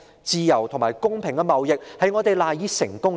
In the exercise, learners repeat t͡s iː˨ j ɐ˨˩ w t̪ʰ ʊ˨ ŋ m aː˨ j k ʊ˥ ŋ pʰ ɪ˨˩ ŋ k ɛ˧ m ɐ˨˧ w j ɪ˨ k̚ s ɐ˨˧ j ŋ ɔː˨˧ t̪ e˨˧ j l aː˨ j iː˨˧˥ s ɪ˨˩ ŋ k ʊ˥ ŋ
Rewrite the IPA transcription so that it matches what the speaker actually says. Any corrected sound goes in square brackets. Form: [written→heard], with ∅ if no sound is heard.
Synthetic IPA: t͡s iː˨ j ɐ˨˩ w t̪ʰ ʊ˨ ŋ m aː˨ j k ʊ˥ ŋ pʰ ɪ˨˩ ŋ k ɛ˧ m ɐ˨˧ w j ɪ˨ k̚ [s→h] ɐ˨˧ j ŋ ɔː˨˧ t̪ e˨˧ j l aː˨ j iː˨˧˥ s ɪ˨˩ ŋ k ʊ˥ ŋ